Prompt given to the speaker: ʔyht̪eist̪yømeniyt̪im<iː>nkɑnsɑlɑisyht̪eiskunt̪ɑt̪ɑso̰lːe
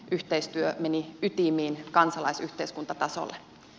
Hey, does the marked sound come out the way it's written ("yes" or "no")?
yes